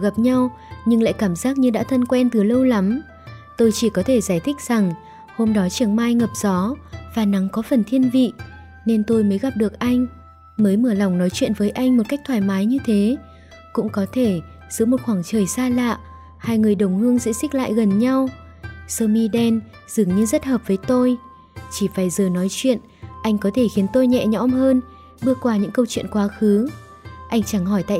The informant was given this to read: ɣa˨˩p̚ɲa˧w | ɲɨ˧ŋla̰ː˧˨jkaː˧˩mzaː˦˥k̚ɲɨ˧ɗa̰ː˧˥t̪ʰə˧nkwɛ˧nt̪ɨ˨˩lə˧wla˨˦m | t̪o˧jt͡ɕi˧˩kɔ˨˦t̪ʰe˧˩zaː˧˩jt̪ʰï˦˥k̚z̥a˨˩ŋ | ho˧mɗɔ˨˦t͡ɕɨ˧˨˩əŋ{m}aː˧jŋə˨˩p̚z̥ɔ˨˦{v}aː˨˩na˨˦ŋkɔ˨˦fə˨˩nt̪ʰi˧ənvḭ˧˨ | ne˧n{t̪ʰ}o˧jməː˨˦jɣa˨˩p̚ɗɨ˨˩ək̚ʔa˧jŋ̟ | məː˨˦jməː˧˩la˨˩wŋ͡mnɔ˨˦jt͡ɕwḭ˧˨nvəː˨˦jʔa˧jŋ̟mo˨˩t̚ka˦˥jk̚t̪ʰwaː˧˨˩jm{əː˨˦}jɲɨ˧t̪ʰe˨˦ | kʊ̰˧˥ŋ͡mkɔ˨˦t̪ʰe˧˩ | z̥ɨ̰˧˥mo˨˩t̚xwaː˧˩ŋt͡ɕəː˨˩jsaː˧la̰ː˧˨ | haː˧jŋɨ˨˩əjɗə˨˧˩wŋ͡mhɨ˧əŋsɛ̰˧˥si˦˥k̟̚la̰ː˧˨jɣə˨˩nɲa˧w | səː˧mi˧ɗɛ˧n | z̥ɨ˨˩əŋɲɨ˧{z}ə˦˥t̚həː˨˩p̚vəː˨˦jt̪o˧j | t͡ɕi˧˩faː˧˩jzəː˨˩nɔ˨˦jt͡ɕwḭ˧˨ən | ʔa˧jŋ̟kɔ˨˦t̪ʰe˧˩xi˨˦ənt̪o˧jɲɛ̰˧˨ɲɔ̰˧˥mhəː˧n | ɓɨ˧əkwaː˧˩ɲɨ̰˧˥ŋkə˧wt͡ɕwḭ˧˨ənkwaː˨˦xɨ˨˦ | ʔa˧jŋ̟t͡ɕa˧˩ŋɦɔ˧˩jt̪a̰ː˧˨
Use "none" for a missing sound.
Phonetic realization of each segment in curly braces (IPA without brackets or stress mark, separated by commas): m, v, t̪, aː˨˦, z